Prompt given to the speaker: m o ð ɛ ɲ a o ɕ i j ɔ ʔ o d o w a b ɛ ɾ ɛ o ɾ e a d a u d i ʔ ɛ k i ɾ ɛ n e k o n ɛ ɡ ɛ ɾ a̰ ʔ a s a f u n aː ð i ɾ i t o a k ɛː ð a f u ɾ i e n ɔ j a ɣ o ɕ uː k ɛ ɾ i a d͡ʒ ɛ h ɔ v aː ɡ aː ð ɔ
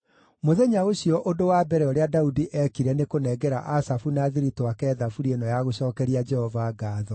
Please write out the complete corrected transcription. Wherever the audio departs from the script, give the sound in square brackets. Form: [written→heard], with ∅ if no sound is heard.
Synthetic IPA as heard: m o ð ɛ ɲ a o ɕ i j ɔ ʔ o d o w a b ɛ ɾ ɛ o ɾ e a d a u d i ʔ ɛ k i ɾ ɛ n e k o n ɛ ɡ ɛ ɾ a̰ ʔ a s a f u n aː ð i ɾ i t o a k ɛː ð a f u ɾ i e n ɔ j a ɣ o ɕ [uː→ɔː] k ɛ ɾ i a d͡ʒ ɛ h ɔ v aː ɡ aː ð ɔ